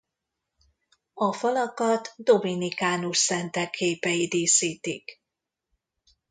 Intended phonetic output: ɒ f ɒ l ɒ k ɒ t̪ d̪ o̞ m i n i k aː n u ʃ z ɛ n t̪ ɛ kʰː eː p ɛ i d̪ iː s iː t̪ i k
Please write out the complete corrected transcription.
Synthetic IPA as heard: ɒ f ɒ l ɒ k ɒ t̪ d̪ o̞ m i n i k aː n u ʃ s ɛ n t̪ ɛ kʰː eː p ɛ i d̪ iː s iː t̪ i k